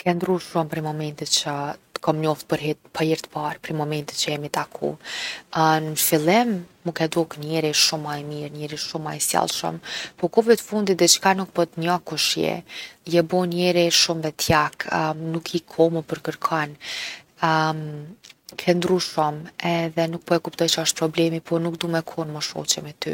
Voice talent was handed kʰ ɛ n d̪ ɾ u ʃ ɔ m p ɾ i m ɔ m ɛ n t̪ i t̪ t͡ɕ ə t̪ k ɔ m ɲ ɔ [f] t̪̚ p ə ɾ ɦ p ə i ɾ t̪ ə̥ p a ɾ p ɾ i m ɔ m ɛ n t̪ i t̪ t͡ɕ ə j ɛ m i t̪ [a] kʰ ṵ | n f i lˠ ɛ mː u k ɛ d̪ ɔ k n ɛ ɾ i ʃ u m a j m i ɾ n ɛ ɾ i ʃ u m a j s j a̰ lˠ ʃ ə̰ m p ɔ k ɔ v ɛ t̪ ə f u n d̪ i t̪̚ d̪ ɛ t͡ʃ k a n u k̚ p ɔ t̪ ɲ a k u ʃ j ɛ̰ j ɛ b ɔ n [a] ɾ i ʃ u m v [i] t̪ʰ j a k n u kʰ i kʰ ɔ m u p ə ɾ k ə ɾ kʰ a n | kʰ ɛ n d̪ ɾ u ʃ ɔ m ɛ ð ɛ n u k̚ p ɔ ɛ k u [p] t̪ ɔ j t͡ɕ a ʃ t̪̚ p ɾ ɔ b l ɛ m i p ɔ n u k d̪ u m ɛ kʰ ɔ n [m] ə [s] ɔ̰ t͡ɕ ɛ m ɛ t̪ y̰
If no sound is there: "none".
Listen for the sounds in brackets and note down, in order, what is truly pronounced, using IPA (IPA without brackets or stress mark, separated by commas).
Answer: f, a, ɛ, ɛ, p, m, ʃ